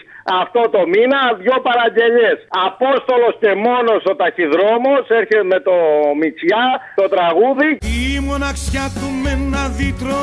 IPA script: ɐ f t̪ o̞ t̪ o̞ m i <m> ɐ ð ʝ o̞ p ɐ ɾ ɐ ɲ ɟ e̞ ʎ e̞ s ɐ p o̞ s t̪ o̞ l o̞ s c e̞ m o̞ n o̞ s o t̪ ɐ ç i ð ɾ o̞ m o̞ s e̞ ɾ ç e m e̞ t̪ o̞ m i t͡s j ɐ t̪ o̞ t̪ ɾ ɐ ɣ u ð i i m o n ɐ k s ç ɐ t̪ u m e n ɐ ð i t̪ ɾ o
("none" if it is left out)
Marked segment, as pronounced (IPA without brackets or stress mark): n